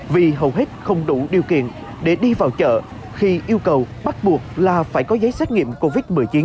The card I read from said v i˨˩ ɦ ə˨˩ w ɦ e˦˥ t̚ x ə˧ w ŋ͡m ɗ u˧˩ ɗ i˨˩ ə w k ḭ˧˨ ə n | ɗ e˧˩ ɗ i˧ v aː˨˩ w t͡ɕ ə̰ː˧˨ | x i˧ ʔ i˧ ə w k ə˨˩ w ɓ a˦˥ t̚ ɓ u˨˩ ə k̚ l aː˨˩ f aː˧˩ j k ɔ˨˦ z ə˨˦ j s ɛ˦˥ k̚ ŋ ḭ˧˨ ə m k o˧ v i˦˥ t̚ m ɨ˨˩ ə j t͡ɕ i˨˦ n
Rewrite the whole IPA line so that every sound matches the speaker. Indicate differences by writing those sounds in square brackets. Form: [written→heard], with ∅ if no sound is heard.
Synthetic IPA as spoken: v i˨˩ ɦ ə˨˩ w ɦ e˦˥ t̚ x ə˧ w ŋ͡m ɗ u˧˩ ɗ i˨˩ ə w k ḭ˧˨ ə n | ɗ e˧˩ ɗ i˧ v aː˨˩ w t͡ɕ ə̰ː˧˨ | x i˧ ʔ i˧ ə w k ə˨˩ w ɓ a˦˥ t̚ ɓ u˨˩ ə k̚ l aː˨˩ f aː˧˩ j k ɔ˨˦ z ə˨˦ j s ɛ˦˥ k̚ ŋ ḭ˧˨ ə m k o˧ v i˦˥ t̚ m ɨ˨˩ ə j t͡ɕ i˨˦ n